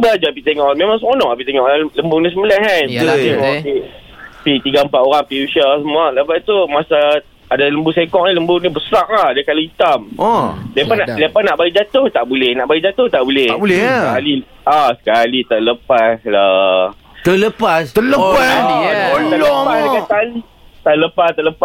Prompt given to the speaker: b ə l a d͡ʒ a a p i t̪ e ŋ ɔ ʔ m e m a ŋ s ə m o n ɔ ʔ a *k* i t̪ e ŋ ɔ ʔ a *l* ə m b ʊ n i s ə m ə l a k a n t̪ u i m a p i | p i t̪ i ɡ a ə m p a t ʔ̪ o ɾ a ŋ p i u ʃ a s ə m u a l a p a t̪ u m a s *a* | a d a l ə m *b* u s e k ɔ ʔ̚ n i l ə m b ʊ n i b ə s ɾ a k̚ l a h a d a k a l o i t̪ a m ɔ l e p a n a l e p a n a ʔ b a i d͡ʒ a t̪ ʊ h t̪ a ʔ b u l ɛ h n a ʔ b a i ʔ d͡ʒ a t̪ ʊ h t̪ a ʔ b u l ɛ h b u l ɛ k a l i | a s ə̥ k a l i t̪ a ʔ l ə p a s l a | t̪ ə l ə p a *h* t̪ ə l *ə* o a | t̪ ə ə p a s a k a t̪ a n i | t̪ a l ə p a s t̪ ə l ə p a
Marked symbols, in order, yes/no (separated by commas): no, yes, yes, yes, no, yes